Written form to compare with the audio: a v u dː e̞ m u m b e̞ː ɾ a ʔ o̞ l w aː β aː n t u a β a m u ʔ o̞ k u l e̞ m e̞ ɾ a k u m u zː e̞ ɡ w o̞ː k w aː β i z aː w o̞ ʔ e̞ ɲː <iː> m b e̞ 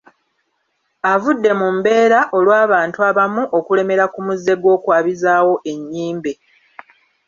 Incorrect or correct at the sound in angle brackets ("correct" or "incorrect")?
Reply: correct